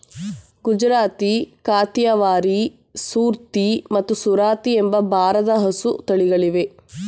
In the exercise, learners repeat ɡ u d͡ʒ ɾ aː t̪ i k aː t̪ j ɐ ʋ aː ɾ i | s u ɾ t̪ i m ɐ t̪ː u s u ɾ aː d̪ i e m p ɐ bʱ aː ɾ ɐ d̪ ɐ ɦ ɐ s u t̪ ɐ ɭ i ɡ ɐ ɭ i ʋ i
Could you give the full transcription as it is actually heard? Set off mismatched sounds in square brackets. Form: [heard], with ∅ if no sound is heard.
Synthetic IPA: ɡ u d͡ʒ ɾ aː t̪ i k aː t̪ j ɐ ʋ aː ɾ i | s [uː] ɾ t̪ i m ɐ t̪ː u s u ɾ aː [t̪] i e m [b] ɐ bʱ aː ɾ ɐ d̪ ɐ ɦ ɐ s u t̪ ɐ ɭ i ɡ ɐ ɭ i ʋ [e]